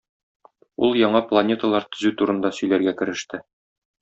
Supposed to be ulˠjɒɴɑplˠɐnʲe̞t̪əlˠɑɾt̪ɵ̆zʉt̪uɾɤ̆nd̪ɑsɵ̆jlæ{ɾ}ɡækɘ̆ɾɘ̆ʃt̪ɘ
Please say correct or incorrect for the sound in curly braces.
correct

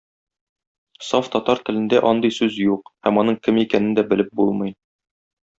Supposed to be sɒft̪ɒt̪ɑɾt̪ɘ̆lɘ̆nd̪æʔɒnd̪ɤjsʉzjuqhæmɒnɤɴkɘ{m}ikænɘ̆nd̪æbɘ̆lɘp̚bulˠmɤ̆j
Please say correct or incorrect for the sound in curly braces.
correct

